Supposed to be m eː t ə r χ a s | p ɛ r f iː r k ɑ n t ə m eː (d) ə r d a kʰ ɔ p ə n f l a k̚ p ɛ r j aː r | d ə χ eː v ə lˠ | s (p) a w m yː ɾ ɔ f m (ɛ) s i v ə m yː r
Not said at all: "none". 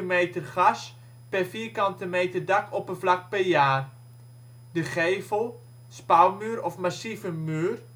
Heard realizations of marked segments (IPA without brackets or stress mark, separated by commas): t, p, a